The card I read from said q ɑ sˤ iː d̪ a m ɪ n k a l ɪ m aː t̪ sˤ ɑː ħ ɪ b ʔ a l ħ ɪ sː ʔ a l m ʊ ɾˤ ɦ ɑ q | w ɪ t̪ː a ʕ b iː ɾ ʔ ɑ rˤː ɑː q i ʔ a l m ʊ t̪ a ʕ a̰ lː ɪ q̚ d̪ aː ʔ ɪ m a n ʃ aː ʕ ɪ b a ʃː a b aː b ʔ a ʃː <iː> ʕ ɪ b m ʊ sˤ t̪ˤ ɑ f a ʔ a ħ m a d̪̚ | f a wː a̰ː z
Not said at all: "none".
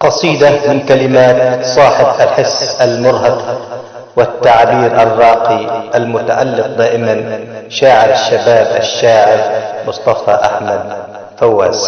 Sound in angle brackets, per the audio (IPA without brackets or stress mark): aː